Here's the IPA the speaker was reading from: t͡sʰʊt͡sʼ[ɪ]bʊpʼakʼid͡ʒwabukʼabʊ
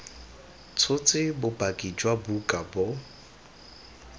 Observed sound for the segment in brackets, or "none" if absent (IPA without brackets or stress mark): ɪ